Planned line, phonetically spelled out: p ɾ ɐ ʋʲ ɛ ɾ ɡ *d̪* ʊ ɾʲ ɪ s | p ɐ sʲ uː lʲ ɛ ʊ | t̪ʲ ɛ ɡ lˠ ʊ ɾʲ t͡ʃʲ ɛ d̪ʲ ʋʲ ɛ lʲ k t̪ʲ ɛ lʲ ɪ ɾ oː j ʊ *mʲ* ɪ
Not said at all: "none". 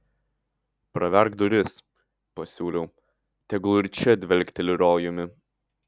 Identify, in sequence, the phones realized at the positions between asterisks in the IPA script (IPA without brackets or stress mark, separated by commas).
d̪, mʲ